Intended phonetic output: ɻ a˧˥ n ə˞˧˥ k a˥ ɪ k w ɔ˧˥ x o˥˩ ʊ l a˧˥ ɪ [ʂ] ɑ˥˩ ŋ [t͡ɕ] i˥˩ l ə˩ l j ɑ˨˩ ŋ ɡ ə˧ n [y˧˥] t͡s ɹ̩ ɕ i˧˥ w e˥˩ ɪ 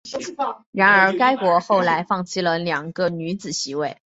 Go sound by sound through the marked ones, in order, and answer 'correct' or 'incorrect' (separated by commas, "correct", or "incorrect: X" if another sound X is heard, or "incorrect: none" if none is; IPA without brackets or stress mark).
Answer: incorrect: f, incorrect: t͡ɕʰ, correct